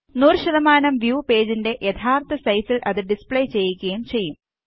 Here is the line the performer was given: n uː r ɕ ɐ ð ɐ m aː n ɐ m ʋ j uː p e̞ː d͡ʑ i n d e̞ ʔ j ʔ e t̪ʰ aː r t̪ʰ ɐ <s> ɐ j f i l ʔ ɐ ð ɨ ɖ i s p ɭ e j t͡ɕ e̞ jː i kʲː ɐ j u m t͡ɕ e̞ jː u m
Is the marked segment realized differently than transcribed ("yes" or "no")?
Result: no